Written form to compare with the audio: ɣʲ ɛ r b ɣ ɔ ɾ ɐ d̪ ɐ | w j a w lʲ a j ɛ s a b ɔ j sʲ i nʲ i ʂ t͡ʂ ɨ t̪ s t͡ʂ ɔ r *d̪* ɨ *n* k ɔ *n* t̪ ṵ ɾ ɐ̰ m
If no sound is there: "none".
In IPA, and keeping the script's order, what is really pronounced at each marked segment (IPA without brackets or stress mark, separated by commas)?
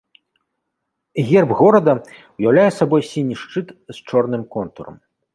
n̪, m, n